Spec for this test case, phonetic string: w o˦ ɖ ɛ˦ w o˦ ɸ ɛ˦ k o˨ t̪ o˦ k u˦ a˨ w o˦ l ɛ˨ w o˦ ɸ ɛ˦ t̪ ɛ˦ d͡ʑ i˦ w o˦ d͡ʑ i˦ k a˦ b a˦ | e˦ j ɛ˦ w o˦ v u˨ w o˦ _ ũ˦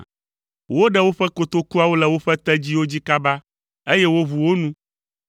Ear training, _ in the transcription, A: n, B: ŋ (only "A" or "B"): A